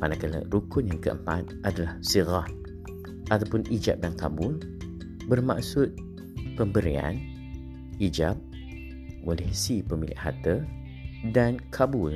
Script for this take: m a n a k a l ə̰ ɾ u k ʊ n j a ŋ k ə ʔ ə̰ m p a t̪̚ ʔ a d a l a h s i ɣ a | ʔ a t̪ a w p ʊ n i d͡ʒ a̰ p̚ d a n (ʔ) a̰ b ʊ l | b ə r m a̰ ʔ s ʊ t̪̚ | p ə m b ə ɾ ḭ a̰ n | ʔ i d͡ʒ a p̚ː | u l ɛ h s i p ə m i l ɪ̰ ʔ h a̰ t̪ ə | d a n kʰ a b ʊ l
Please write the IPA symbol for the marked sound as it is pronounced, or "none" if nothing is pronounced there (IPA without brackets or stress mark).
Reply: k